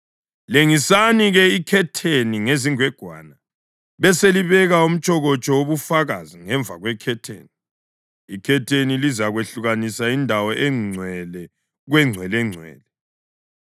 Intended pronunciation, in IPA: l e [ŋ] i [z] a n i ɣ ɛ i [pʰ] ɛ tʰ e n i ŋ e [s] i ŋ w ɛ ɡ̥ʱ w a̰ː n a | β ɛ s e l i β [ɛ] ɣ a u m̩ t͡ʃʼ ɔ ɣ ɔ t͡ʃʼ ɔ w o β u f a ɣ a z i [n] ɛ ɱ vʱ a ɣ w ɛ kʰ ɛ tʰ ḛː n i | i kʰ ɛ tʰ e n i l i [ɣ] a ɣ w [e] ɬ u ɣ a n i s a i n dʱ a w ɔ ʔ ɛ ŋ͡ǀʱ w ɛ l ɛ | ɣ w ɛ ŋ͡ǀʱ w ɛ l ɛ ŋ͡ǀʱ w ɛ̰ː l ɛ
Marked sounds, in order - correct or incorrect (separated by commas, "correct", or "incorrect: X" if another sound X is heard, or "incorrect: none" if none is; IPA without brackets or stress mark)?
correct, incorrect: s, incorrect: kʰ, incorrect: z, correct, incorrect: ŋ, incorrect: z, correct